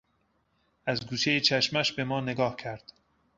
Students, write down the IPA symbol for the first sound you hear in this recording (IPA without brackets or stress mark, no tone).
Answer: æ